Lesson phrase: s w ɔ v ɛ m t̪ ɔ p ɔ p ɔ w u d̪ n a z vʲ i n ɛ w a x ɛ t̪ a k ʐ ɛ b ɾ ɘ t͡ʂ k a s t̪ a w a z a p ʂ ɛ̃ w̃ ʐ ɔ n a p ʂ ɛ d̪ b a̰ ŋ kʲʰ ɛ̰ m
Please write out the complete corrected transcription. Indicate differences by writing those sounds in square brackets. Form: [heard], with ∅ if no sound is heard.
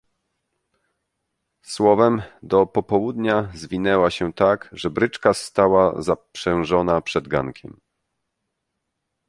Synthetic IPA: s w ɔ v ɛ m [d̪] ɔ p ɔ p ɔ w u d̪ [ɲ] a z vʲ i n ɛ w a [ɕ] ɛ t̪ a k ʐ ɛ b ɾ ɘ t͡ʂ k a s t̪ a w a z a p ʂ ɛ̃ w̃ ʐ ɔ n a p ʂ ɛ d̪ [ɡ] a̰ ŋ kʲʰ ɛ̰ m